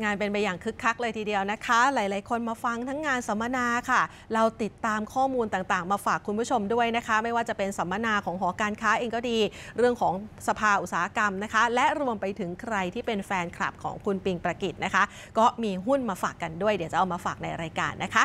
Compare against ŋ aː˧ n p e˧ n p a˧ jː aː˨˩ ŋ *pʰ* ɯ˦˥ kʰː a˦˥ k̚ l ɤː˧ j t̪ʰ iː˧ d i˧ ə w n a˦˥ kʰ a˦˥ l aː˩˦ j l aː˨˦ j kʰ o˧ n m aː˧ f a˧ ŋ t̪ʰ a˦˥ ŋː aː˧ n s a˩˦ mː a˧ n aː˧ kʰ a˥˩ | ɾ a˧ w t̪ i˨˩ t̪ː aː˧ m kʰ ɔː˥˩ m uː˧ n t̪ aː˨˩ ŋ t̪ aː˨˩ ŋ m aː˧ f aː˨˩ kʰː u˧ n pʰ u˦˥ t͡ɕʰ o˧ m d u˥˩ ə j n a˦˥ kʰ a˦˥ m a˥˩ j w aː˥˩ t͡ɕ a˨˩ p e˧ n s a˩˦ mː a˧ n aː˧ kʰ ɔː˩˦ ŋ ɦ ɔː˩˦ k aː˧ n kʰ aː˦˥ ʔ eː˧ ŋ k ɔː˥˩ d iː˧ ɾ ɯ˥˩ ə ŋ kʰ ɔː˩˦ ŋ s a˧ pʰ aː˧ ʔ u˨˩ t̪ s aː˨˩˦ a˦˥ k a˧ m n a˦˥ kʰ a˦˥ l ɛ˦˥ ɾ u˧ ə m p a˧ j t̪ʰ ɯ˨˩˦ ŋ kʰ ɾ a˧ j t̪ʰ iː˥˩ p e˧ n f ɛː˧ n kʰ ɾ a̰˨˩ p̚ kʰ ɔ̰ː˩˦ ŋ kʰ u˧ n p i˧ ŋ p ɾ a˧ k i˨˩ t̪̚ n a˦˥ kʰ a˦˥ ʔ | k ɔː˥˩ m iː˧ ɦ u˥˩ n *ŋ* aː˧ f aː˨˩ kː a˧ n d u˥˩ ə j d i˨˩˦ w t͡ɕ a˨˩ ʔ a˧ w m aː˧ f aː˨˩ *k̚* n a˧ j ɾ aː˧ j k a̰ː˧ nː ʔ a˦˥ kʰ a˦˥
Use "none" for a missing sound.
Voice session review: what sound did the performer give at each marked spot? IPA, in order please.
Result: kʰ, m, k̚

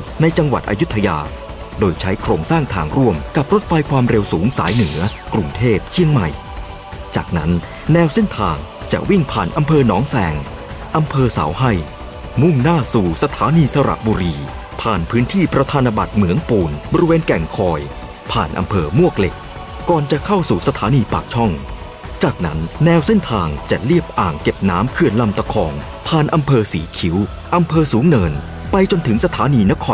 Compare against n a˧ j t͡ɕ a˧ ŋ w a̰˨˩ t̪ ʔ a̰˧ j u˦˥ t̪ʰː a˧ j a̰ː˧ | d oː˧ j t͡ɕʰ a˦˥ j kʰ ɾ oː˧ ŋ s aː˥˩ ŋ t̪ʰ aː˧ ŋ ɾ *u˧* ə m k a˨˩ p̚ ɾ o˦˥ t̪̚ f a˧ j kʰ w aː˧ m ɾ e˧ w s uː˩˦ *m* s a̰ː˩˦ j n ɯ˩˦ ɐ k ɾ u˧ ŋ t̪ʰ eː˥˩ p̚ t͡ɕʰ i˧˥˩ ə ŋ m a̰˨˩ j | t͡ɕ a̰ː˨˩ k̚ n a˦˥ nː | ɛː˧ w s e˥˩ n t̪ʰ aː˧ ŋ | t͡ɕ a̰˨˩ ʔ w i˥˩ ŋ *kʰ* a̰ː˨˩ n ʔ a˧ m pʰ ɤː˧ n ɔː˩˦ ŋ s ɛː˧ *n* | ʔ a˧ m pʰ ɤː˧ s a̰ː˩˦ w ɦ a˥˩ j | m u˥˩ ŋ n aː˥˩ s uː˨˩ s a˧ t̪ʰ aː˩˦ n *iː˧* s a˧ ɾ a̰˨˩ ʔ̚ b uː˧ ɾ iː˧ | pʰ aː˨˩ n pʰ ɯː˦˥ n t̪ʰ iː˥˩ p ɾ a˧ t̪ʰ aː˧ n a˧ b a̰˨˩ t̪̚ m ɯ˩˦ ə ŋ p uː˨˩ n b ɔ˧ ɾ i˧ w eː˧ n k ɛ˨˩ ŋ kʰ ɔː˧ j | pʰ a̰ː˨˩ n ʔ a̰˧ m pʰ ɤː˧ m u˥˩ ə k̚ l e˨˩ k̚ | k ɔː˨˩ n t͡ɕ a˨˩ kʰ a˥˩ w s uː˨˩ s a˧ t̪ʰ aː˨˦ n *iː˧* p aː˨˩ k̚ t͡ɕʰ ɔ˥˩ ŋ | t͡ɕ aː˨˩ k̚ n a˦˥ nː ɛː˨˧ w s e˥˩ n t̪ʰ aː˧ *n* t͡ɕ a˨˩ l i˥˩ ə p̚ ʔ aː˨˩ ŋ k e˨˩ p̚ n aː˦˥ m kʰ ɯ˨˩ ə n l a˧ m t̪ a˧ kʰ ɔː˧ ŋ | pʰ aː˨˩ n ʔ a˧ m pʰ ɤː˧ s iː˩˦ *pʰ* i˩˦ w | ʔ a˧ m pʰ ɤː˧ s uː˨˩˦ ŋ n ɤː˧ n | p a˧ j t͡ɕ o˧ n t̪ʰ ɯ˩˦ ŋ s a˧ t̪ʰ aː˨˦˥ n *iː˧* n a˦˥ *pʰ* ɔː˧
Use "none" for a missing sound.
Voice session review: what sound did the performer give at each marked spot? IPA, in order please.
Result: u˥˩, ŋ, pʰ, ŋ, iː˧, iː˧, ŋ, kʰ, iː˧, kʰ

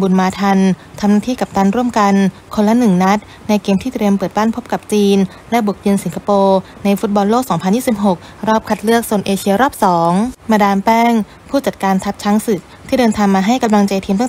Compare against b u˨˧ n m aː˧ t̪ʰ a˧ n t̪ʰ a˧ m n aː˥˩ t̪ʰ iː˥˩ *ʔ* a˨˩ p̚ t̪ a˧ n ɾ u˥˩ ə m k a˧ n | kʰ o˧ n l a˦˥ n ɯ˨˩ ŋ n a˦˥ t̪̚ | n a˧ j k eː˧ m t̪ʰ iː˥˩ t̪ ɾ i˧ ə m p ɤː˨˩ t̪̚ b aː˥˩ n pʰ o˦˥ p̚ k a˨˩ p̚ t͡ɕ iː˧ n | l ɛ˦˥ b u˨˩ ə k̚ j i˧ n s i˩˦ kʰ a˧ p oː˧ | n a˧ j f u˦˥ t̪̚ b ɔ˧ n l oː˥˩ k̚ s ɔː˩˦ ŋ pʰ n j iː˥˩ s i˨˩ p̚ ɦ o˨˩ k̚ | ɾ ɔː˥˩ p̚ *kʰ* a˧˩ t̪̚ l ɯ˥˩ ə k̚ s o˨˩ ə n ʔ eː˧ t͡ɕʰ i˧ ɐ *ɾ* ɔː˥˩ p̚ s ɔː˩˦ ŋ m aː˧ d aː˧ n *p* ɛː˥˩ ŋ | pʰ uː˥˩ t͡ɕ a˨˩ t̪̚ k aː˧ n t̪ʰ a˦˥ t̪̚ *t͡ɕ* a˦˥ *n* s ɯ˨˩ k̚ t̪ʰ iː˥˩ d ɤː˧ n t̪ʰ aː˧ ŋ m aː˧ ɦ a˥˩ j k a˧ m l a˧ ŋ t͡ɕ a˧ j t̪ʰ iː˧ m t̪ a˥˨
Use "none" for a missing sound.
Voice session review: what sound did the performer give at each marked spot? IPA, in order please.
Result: k, kʰ, ɾ, p, t͡ɕʰ, ŋ

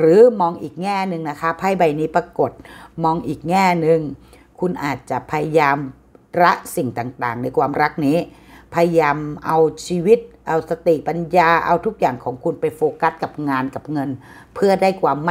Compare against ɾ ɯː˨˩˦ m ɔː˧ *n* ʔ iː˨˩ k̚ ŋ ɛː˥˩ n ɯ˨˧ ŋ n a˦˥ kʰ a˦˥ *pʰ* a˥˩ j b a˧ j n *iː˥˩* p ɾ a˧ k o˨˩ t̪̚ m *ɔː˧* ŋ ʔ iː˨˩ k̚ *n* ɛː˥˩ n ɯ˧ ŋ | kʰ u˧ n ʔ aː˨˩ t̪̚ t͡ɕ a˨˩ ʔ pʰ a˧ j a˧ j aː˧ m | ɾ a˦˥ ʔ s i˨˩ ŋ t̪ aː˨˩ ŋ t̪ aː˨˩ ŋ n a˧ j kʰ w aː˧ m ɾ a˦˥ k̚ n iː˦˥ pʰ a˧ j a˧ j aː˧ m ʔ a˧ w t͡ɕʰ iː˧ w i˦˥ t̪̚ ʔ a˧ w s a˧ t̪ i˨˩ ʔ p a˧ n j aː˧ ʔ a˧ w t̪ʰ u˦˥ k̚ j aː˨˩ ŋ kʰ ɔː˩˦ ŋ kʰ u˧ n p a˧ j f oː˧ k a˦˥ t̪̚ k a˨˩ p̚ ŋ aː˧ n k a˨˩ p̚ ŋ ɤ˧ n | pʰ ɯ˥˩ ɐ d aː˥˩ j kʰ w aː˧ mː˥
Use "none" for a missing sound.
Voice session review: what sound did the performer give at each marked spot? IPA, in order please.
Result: ŋ, pʰ, iː˦˥, ɔː˧, ŋ

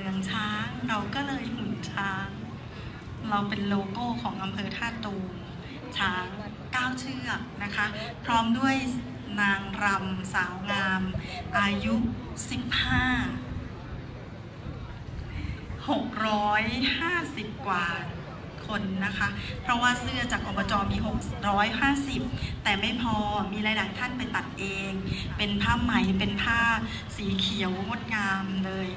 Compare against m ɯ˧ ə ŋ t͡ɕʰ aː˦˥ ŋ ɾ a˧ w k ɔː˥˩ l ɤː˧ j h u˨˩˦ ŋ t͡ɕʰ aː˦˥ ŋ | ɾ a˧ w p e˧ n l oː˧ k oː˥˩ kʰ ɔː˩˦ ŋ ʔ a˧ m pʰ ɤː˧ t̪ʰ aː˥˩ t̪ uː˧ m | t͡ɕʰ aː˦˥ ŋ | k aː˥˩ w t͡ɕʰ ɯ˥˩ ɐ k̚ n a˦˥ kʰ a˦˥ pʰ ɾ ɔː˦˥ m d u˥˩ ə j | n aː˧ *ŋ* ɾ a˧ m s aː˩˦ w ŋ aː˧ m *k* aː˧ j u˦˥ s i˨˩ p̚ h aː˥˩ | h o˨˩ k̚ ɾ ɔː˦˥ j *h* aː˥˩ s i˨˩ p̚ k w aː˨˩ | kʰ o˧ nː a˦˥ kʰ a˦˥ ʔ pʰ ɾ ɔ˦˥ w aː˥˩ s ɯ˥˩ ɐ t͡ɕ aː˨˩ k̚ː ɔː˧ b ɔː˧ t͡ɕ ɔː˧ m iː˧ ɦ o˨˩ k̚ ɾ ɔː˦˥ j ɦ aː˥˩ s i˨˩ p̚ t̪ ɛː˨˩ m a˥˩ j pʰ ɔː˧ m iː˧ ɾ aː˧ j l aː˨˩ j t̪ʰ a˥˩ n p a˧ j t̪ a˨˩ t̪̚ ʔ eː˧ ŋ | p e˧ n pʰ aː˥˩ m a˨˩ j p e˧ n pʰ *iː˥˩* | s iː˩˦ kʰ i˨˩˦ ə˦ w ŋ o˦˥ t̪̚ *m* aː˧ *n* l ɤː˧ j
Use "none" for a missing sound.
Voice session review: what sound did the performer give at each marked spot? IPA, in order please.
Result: ŋ, ʔ, h, aː˥˩, ŋ, m

